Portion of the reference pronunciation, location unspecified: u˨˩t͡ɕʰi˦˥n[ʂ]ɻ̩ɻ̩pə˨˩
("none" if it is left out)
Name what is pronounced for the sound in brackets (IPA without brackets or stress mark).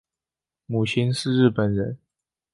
ʂ